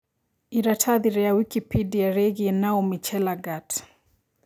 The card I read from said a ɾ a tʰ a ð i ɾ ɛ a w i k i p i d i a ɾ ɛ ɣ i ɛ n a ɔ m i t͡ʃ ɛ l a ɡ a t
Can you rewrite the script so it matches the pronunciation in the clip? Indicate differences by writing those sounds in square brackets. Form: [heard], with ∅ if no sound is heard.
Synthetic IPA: [i] ɾ a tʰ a ð i ɾ ɛ a w i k i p i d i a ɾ ɛ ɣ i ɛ n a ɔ m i t͡ʃ ɛ l a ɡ a t